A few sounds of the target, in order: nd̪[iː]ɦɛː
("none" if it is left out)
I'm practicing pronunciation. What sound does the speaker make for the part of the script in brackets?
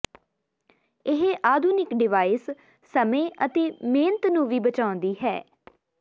iː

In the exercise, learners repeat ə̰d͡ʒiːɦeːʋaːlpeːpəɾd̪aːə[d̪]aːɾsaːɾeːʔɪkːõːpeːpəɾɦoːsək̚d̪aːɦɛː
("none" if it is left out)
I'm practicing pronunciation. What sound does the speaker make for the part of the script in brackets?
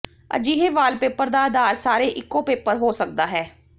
d̪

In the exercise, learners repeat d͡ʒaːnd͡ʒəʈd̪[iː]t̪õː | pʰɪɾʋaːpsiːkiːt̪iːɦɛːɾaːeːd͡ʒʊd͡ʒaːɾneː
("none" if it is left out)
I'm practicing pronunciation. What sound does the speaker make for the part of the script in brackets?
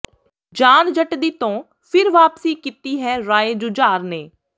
iː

